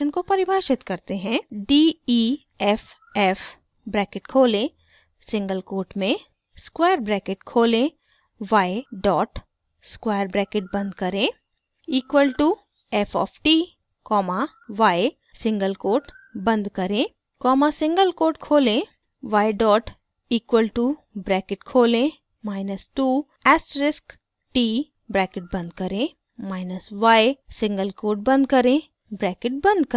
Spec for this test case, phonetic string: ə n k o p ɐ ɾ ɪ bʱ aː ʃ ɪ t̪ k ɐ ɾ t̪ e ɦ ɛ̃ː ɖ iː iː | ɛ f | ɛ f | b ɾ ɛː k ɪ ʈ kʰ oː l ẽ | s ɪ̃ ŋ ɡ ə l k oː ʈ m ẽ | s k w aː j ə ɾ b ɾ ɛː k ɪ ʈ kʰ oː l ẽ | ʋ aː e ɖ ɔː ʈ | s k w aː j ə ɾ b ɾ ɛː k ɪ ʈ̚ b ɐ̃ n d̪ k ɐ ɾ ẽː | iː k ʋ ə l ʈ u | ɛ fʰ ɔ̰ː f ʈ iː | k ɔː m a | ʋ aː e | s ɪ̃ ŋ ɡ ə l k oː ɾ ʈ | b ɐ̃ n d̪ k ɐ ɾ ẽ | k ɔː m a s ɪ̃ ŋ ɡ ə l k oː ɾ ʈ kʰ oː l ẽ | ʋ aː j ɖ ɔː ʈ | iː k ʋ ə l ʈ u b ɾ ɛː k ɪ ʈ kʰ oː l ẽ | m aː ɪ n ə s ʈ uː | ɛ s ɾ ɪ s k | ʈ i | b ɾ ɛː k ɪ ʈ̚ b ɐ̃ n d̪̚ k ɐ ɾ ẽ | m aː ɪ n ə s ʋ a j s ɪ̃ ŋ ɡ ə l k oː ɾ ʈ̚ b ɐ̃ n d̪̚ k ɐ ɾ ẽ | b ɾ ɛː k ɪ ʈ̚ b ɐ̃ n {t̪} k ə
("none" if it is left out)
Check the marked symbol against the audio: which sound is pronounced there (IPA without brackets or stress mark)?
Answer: d̪